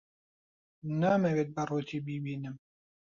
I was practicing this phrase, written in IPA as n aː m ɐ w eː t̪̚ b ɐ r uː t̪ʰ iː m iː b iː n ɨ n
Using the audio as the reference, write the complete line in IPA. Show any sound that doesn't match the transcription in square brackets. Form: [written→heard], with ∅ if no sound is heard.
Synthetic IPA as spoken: n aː m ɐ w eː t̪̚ b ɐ r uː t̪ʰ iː [m→b] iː b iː n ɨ [n→m]